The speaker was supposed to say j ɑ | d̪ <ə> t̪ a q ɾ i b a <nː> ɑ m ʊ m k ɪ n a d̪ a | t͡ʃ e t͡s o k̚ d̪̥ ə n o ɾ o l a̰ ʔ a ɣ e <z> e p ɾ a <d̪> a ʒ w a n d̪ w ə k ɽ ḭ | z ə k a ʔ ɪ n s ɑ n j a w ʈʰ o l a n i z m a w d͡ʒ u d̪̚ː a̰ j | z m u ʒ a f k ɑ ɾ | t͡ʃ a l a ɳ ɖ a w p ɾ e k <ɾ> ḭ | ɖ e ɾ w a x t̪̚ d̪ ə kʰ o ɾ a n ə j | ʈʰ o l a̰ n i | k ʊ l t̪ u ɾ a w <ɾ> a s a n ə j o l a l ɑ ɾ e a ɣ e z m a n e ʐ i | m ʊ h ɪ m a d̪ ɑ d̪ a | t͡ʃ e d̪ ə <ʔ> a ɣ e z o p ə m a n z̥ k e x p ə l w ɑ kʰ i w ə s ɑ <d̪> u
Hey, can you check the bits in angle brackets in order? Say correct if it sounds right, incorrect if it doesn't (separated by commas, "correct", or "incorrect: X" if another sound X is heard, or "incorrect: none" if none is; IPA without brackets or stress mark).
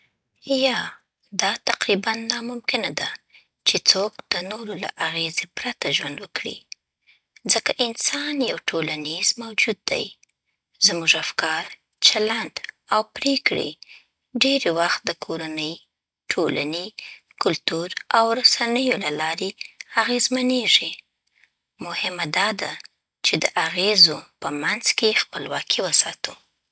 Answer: incorrect: ɑ, correct, correct, incorrect: t̪, incorrect: ɽ, correct, correct, incorrect: t̪